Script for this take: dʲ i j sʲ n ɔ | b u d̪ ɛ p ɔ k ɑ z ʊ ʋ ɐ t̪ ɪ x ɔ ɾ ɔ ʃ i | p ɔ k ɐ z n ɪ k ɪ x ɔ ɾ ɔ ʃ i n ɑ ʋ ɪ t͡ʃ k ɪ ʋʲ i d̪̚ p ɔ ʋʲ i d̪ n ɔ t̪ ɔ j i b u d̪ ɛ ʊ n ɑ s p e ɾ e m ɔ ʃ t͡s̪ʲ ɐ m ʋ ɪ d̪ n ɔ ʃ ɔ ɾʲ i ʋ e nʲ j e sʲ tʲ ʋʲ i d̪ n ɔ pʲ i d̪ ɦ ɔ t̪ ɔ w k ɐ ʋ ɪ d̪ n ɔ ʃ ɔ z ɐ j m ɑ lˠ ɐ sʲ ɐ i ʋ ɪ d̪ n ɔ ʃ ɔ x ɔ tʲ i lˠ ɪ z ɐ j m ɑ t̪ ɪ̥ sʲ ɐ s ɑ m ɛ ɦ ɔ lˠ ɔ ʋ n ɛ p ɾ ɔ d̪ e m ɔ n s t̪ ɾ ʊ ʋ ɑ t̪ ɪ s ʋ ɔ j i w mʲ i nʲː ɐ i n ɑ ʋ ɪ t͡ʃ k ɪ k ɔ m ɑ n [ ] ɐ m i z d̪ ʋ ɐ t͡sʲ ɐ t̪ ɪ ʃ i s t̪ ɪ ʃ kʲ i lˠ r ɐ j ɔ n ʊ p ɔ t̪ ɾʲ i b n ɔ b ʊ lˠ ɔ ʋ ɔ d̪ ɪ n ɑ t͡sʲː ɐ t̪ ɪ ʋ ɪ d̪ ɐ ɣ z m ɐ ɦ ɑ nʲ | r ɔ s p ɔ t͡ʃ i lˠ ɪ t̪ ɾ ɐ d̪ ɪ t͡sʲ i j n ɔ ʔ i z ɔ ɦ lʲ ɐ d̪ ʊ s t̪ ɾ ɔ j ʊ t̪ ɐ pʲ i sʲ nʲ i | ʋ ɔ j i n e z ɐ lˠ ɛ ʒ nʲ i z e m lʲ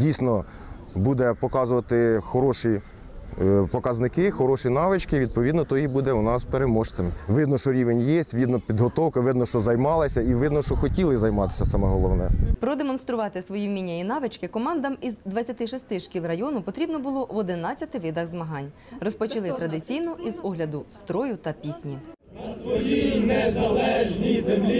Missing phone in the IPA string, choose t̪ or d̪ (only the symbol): d̪